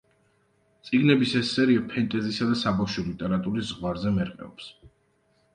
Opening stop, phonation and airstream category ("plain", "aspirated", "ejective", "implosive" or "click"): plain